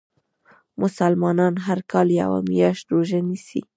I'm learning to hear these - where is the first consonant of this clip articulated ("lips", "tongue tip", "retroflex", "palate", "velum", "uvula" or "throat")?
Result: lips